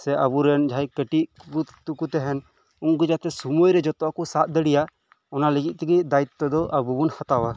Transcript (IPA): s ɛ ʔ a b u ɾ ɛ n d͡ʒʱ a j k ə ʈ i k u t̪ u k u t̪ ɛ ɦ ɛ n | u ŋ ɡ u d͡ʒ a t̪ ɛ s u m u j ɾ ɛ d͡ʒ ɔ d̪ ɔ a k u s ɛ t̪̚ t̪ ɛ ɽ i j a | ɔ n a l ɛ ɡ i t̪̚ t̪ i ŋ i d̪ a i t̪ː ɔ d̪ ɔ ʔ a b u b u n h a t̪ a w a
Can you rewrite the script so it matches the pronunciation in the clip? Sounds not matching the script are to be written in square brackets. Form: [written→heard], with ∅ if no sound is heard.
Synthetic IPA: s ɛ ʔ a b u ɾ ɛ n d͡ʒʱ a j k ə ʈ i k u t̪ u k u t̪ ɛ ɦ ɛ n | u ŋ ɡ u d͡ʒ a t̪ ɛ s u m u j ɾ ɛ d͡ʒ ɔ [d̪→t̪] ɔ a k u s [ɛ→a] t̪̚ [t̪→d̪] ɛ ɽ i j a | ɔ n a l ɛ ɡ i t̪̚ t̪ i [ŋ→ɡ] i d̪ a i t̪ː ɔ d̪ ɔ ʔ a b u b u n h a t̪ a w a